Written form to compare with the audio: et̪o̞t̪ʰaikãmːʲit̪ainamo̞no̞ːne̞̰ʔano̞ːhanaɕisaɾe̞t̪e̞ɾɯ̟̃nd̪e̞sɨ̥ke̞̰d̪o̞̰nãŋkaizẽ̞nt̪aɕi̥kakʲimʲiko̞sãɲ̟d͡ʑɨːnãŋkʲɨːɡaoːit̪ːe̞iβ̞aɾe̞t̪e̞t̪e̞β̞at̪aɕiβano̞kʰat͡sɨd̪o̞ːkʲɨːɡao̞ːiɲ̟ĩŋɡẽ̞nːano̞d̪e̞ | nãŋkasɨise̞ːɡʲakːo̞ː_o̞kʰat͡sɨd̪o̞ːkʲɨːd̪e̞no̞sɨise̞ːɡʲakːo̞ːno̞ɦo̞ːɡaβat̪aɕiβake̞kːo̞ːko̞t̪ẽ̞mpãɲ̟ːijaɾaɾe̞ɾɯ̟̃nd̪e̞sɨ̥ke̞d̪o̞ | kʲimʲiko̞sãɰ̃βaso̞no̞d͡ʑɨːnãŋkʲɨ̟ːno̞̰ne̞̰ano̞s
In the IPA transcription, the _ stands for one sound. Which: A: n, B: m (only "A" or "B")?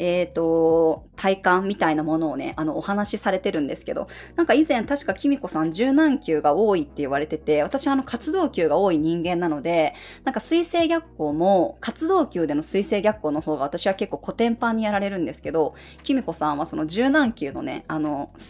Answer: B